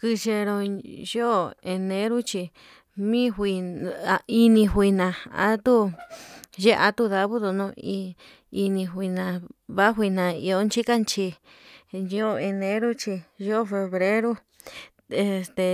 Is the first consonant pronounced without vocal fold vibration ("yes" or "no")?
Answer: yes